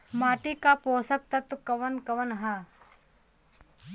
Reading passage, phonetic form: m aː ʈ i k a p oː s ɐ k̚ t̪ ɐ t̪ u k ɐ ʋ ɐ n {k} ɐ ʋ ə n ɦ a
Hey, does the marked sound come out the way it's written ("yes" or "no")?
yes